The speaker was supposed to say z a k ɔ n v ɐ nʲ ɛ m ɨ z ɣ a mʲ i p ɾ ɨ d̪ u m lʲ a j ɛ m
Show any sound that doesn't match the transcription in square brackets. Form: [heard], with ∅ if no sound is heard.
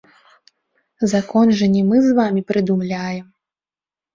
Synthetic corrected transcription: z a k ɔ n [ʐ] ɐ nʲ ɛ m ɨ z [v] a mʲ i p ɾ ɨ d̪ u m lʲ a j ɛ m